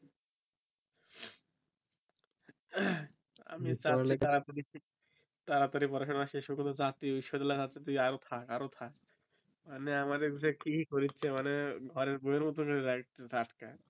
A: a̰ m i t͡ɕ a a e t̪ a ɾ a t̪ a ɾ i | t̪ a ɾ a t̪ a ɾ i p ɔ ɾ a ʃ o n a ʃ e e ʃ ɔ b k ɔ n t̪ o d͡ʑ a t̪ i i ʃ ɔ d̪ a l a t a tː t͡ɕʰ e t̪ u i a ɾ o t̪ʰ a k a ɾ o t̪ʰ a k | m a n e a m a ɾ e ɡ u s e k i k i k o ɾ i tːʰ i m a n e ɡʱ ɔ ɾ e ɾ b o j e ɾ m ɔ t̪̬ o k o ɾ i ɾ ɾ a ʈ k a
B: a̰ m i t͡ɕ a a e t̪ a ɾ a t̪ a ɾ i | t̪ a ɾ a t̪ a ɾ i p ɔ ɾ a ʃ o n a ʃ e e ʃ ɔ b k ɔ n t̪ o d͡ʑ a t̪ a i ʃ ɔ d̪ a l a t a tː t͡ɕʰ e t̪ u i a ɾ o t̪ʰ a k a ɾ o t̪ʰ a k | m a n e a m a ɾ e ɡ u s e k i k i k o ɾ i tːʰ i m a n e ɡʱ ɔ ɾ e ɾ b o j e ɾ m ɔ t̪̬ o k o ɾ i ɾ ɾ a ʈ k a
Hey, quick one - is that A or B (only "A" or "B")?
A